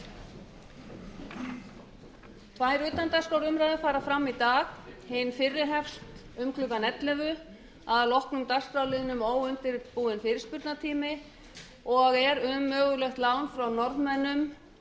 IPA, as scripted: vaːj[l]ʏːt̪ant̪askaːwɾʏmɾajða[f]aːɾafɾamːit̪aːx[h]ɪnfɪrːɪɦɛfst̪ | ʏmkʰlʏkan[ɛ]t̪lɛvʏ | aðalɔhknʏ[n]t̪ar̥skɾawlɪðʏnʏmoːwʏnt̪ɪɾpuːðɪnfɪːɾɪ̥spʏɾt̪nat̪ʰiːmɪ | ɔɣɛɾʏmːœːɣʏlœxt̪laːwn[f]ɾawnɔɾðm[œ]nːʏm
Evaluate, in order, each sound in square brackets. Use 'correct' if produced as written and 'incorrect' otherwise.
incorrect, correct, correct, correct, incorrect, correct, incorrect

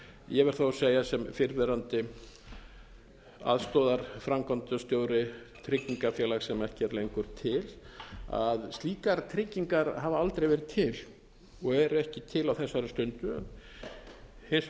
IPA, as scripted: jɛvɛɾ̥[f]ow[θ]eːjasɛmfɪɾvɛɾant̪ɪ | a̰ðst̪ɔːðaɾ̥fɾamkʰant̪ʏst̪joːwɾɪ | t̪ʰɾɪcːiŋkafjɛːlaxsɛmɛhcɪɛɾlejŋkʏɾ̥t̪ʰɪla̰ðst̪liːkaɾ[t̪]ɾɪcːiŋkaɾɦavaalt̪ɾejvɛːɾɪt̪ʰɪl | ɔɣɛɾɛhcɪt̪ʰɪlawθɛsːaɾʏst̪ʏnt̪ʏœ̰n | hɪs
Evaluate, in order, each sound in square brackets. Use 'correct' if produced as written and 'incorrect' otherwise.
incorrect, incorrect, incorrect

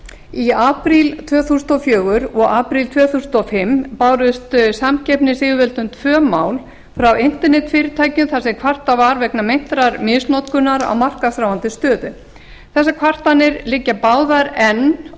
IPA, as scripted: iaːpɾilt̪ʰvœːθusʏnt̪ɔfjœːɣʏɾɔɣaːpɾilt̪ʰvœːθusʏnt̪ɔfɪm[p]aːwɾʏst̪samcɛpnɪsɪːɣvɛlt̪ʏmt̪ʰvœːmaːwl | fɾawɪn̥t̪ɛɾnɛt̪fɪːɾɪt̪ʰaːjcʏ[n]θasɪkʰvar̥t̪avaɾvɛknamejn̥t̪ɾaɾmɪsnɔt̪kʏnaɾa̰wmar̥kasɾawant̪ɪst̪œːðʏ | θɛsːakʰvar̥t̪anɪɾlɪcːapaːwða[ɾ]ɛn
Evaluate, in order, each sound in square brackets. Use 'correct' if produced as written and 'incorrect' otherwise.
correct, incorrect, correct

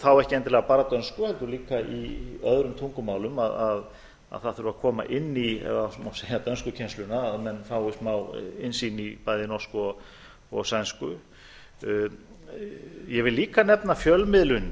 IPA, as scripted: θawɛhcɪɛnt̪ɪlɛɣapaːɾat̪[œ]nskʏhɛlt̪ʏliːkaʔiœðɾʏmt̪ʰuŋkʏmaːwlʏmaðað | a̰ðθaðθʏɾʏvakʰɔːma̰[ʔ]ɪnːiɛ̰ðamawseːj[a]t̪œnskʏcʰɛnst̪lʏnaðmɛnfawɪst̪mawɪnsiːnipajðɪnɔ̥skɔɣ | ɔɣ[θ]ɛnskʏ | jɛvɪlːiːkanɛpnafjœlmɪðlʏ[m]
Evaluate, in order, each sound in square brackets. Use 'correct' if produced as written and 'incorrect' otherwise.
correct, correct, correct, incorrect, incorrect

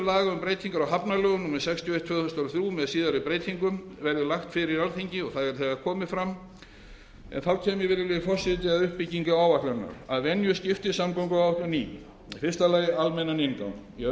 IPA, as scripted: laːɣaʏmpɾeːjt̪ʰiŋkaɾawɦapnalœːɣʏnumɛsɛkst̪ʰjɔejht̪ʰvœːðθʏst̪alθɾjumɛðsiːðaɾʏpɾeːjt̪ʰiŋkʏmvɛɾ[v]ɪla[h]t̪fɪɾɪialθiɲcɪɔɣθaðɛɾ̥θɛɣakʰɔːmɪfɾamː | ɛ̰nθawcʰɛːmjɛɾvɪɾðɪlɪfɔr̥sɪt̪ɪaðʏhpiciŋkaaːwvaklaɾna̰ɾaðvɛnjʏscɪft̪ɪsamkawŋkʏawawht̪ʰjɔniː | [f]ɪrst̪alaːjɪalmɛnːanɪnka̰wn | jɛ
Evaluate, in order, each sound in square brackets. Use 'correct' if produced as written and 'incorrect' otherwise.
incorrect, incorrect, correct

